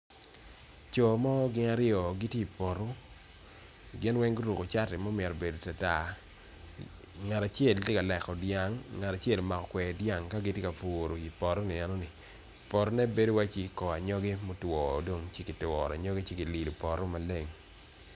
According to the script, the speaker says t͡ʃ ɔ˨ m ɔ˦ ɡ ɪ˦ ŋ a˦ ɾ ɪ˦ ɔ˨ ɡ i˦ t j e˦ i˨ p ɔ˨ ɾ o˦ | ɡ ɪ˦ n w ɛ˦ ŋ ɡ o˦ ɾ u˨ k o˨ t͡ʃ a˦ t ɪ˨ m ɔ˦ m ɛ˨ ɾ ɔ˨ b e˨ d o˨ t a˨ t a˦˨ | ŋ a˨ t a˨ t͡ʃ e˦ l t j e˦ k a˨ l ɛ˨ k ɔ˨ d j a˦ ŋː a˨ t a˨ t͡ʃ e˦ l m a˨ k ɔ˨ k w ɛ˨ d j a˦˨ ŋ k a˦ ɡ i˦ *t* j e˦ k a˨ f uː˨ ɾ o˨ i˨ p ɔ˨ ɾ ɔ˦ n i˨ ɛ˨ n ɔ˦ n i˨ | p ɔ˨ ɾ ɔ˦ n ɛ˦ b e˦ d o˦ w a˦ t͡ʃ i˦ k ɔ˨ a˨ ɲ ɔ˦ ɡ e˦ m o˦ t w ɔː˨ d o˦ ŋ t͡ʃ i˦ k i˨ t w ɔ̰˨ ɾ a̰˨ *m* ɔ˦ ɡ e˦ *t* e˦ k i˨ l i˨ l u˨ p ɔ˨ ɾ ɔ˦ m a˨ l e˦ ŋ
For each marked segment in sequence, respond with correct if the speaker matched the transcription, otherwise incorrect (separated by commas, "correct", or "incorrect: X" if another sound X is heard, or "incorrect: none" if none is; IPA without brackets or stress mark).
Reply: correct, incorrect: ɲ, incorrect: t͡ʃ